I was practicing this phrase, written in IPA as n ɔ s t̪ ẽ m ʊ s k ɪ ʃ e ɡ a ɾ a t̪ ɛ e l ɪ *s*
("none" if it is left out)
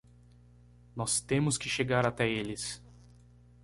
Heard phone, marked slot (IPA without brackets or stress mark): s